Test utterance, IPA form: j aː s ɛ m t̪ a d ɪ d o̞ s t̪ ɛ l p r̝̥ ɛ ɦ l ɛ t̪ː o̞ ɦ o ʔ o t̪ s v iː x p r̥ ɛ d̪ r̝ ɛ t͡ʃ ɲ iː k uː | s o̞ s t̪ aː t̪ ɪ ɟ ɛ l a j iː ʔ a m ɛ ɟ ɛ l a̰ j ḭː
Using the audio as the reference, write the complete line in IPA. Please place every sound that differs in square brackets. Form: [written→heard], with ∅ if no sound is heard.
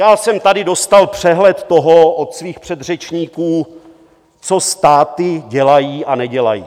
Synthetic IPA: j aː s ɛ m t̪ a d ɪ d o̞ s t̪ [ɛ→a] l p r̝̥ ɛ ɦ l ɛ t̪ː o̞ ɦ o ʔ o t̪ s v iː x p r̥ ɛ d̪ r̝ ɛ t͡ʃ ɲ iː k uː | [s→t͡s] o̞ s t̪ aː t̪ ɪ ɟ ɛ l a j iː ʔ a [m→n] ɛ ɟ ɛ l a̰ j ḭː